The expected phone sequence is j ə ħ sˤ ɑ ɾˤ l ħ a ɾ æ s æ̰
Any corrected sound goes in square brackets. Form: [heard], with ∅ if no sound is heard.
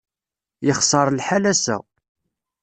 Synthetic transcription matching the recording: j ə [χ] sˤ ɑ ɾˤ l ħ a [l] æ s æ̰